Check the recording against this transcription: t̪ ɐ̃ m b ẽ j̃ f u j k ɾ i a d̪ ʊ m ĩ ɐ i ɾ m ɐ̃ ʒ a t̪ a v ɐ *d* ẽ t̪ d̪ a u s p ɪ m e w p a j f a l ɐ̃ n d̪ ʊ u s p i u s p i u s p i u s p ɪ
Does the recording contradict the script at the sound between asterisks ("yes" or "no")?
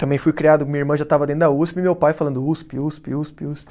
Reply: no